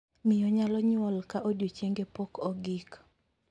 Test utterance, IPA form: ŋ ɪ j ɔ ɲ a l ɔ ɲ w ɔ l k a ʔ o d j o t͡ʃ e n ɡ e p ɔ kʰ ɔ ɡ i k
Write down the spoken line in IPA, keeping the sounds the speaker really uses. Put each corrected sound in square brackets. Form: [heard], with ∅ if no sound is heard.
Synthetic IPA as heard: [m] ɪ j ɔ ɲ a l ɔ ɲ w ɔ l k a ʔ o d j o t͡ʃ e [ŋ] ɡ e p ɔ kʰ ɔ ɡ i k